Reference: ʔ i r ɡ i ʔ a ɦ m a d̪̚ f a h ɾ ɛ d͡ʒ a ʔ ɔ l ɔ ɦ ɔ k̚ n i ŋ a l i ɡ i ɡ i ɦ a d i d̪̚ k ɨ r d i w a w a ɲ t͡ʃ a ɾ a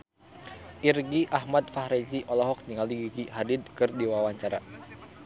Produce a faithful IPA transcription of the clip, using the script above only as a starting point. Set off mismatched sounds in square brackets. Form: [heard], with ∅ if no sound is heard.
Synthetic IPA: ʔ i r ɡ i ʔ a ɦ m a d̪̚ f a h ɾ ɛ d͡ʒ [i] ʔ ɔ l ɔ ɦ ɔ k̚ n i ŋ a l i ɡ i ɡ i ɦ a d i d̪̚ k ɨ r d i w a w a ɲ t͡ʃ a ɾ a